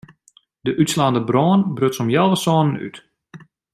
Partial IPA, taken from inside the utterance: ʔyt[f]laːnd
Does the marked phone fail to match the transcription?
yes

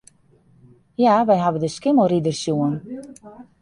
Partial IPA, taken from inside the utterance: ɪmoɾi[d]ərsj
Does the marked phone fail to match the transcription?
no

